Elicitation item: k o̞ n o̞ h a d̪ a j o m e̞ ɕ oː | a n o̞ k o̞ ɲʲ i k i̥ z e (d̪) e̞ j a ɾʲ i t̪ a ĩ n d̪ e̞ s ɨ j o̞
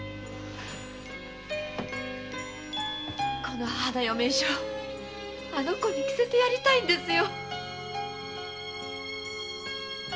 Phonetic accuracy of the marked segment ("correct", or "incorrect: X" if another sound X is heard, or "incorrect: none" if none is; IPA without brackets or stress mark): incorrect: t̪